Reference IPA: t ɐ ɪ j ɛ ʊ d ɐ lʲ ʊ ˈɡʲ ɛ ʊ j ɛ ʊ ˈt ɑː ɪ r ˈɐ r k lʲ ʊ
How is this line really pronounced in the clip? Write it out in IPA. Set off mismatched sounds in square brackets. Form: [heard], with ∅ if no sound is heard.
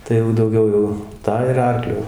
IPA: t ɐ ɪ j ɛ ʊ d ɐ [∅] ʊ ˈɡʲ ɛ ʊ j ɛ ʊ ˈt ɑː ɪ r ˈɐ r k lʲ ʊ

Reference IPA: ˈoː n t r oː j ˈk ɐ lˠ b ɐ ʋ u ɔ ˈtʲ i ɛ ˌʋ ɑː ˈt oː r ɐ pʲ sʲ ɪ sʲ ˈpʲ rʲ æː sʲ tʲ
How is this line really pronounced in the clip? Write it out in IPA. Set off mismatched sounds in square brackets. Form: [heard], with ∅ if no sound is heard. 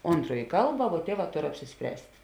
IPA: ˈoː n t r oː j ˈk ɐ lˠ b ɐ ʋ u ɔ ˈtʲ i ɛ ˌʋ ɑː ˈt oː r ɐ pʲ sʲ ɪ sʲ ˈpʲ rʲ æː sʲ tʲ

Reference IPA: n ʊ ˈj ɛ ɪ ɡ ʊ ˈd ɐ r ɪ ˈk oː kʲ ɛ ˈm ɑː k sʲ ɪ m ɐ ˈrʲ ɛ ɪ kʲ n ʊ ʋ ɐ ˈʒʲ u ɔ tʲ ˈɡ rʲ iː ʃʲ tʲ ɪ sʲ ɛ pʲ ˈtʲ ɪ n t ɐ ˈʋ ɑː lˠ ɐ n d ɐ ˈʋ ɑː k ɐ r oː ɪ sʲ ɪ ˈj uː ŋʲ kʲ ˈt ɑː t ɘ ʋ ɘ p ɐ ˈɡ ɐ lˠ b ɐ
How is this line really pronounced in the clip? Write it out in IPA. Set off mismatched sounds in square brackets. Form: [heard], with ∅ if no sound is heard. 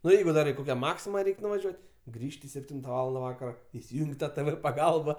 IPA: n ʊ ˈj ɛ ɪ ɡ ʊ ˈd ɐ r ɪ ˈk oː kʲ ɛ ˈm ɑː k sʲ ɪ m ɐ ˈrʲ ɛ ɪ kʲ n ʊ ʋ ɐ ˈʒʲ u ɔ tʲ ˈɡ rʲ iː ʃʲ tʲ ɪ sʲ ɛ pʲ ˈtʲ ɪ n t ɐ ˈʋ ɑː lˠ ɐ n d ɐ ˈʋ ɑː k ɐ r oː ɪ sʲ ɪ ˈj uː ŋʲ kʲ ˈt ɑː t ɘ ʋ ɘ p ɐ ˈɡ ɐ lˠ b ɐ

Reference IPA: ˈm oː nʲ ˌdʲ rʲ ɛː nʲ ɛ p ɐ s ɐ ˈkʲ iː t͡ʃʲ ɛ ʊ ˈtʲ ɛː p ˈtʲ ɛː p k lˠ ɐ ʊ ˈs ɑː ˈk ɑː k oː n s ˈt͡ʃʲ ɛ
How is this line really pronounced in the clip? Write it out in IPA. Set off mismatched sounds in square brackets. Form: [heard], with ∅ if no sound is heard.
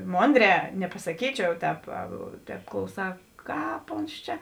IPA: ˈm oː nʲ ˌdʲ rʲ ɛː nʲ ɛ p ɐ s ɐ ˈkʲ iː t͡ʃʲ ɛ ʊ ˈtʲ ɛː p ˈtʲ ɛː p k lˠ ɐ ʊ ˈs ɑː ˈk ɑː [p] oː n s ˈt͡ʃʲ ɛ

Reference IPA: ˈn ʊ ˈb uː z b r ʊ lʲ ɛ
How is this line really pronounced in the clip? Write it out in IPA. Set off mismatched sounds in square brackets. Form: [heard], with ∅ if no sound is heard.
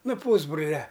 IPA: ˈn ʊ [ˈp] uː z b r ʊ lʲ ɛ

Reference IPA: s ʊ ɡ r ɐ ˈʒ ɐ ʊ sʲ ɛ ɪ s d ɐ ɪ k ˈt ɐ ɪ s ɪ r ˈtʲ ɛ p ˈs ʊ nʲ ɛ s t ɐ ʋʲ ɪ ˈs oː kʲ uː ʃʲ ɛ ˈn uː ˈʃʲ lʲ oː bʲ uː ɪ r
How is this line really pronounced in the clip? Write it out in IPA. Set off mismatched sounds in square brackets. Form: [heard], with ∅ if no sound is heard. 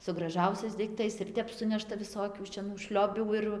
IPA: s ʊ ɡ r ɐ ˈʒ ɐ ʊ sʲ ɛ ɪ s d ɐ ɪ k ˈt ɐ ɪ s ɪ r ˈtʲ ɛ p ˈs ʊ nʲ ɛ [ʃ] t ɐ ʋʲ ɪ ˈs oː kʲ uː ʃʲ ɛ ˈn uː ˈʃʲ lʲ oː bʲ uː ɪ r

